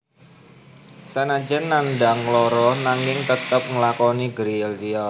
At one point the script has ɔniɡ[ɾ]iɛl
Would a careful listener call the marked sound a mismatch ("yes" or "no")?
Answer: no